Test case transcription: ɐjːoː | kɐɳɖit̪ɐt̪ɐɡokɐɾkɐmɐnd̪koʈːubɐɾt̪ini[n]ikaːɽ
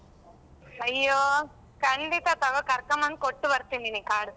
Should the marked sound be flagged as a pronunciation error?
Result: no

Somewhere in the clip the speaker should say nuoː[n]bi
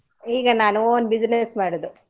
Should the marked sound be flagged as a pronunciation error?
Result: no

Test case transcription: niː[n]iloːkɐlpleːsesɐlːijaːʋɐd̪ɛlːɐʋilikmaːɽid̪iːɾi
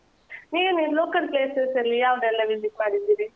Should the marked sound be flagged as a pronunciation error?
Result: no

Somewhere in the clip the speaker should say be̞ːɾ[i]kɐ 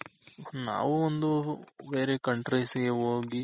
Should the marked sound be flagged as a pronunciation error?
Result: yes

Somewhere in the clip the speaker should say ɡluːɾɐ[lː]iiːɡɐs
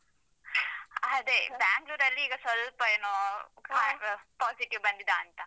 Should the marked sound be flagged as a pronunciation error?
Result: no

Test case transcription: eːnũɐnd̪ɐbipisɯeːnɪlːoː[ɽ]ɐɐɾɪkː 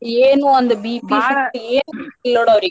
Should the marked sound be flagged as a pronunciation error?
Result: no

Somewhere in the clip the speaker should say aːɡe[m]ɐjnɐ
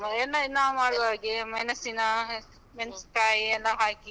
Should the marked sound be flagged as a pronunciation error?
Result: no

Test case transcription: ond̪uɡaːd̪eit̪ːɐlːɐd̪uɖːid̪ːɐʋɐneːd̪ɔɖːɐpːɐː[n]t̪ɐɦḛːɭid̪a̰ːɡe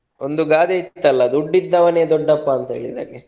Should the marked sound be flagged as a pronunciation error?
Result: no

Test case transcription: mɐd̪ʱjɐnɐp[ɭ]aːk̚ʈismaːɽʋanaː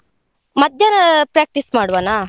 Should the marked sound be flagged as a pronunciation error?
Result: yes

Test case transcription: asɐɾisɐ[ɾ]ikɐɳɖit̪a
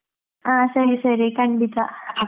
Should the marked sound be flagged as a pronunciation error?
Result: no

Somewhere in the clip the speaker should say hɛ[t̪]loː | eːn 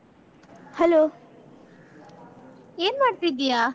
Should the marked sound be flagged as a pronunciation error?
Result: yes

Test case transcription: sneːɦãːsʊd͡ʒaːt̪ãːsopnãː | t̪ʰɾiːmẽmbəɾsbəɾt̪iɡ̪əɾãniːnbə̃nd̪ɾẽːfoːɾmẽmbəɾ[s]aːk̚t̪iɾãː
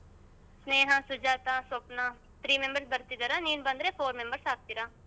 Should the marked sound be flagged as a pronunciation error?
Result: no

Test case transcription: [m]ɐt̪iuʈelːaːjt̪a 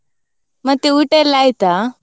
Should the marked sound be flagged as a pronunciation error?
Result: no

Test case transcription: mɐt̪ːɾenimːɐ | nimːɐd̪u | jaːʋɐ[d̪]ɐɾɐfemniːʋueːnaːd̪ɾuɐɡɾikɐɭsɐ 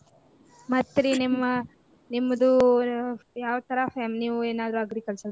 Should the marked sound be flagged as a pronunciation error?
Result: yes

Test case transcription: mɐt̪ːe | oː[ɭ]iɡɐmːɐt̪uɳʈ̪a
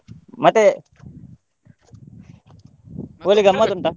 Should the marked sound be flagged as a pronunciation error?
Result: yes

